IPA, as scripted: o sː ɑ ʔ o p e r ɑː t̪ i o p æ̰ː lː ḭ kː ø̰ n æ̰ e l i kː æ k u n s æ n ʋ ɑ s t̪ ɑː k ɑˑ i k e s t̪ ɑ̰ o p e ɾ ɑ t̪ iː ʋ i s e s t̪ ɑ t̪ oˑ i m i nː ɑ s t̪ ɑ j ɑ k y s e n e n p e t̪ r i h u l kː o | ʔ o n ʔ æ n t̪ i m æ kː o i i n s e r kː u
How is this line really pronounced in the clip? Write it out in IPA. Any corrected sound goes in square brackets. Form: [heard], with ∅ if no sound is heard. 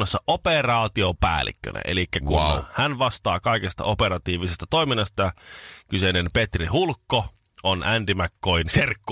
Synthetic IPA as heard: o sː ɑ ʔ o p e r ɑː t̪ i o p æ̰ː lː ḭ kː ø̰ n æ̰ e l i kː æ k u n [h] æ n ʋ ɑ s t̪ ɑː k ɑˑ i k e s t̪ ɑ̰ o p e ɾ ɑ t̪ iː ʋ i s e s t̪ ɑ t̪ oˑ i m i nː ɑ s t̪ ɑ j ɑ k y s e n e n p e t̪ r i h u l kː o | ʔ o n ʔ æ n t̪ i m æ kː o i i n s e r kː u